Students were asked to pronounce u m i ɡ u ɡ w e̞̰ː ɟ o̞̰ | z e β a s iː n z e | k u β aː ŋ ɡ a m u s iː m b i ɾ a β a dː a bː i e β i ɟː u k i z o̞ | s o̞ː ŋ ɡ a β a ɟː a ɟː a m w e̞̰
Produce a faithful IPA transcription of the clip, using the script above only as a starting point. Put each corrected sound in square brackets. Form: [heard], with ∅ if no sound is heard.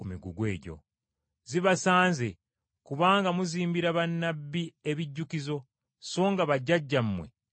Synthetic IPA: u m i ɡ u ɡ w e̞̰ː ɟ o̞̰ | z [i] β a s [aː] n z e | k u β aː ŋ ɡ a m u [z] iː m b i ɾ a β a [nː] a bː i e β i ɟː u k i z o̞ | s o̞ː ŋ ɡ a β a ɟː a ɟː a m w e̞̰

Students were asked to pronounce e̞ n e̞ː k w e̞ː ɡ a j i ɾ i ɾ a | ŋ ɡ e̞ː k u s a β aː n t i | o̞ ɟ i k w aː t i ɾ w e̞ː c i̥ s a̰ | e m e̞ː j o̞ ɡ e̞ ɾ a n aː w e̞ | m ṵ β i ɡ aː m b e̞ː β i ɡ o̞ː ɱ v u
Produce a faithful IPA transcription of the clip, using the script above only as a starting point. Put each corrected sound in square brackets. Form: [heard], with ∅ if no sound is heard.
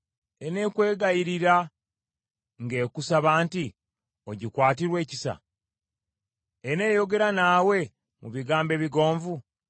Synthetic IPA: e̞ n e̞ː k w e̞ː ɡ a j i ɾ i ɾ a | ŋ ɡ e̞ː k u s a β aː n t i | o̞ ɟ i k w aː t i ɾ w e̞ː c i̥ s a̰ | e [n] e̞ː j o̞ ɡ e̞ ɾ a n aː w e̞ | m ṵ β i ɡ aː m b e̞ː β i ɡ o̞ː ɱ v u

